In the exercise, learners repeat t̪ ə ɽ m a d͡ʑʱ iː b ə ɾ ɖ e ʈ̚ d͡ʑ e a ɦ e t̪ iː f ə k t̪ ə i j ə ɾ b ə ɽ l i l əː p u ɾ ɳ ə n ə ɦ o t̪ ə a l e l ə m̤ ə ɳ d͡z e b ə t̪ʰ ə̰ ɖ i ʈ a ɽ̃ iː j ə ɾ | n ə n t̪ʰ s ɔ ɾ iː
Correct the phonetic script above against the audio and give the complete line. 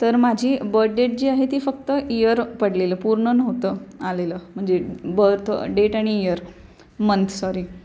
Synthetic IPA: t̪ ə ɾ m a d͡ʑʱ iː b ə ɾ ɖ e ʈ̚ d͡ʑ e a ɦ e t̪ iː f ə k t̪ ə i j ə ɾ p ə ɽ l e l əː p u ɾ ɳ ə n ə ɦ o t̪ ə a l e l ə m̤ ə ɳ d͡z e b ə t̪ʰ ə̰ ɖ e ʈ a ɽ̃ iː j ə ɾ | m ə n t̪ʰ s ɔ ɾ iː